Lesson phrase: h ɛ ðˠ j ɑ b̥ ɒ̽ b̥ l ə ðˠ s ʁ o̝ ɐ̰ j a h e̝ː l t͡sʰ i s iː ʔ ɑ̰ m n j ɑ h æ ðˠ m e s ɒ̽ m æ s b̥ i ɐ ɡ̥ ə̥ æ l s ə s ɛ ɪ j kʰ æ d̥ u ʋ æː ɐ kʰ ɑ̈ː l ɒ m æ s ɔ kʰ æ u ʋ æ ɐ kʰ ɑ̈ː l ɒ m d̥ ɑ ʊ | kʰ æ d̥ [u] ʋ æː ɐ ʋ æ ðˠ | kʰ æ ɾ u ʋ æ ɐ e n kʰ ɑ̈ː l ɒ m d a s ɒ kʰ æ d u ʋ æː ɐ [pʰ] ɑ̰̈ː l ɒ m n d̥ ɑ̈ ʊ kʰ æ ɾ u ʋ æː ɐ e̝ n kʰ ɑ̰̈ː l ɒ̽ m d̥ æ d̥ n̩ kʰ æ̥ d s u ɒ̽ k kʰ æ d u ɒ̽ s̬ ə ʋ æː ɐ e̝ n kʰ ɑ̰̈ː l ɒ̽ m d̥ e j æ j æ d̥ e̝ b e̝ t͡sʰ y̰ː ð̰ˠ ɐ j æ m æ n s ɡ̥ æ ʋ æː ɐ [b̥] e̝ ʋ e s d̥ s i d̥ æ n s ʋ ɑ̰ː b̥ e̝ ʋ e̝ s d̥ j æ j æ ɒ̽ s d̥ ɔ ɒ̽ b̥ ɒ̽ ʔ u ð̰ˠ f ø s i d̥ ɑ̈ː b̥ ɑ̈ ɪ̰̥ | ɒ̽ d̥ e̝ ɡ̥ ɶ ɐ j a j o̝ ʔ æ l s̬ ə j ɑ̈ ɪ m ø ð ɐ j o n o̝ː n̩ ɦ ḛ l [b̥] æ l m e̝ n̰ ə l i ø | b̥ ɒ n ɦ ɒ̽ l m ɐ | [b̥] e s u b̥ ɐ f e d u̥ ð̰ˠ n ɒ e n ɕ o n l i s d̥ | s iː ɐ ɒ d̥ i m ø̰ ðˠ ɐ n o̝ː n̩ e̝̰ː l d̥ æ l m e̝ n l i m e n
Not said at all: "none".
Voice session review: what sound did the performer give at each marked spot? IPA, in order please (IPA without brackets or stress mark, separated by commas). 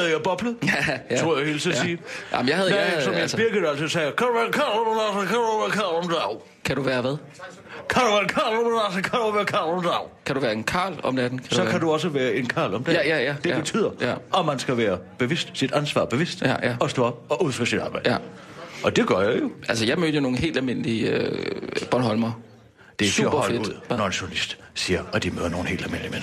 u, kʰ, b̥, d̥, d̥